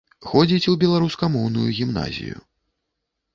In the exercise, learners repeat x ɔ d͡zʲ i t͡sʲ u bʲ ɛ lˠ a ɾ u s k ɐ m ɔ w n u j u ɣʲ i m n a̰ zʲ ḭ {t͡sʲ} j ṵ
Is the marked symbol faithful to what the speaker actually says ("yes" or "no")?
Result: no